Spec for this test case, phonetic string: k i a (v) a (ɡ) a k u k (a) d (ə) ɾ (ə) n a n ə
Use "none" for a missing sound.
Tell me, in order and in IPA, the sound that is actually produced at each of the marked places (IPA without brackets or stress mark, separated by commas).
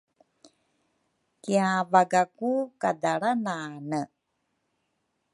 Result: v, ɡ, a, a, a